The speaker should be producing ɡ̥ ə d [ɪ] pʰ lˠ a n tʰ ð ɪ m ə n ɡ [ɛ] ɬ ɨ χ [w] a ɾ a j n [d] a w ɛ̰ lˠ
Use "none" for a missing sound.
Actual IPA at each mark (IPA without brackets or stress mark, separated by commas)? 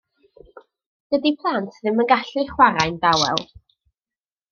i, a, w, d